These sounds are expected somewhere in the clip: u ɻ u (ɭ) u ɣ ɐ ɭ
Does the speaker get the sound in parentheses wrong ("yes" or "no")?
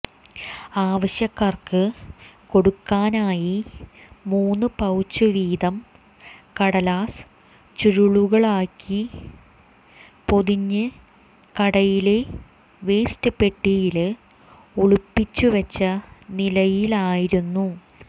no